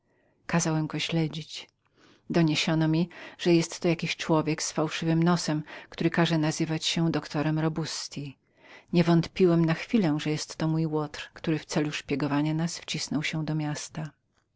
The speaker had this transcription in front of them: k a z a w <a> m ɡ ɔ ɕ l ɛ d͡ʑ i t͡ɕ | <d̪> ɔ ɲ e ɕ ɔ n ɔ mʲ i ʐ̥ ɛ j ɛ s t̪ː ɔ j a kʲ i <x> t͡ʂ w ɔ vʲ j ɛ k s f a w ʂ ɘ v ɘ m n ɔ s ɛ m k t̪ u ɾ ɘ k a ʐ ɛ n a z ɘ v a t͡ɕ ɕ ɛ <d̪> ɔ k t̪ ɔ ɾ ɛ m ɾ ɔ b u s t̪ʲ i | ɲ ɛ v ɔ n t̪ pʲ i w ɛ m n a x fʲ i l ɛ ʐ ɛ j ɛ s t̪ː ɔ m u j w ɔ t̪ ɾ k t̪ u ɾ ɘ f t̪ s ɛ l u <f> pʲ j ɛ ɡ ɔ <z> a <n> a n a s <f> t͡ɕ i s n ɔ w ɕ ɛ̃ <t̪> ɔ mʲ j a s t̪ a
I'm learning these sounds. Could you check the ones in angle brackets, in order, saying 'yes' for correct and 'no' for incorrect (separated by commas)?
no, yes, no, yes, no, no, no, yes, no